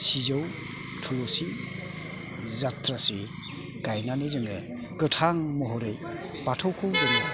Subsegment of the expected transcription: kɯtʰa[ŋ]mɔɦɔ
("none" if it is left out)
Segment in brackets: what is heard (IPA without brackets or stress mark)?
ŋ